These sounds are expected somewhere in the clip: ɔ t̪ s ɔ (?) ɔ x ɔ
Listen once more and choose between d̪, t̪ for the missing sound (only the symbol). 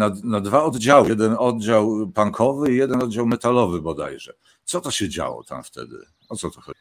t̪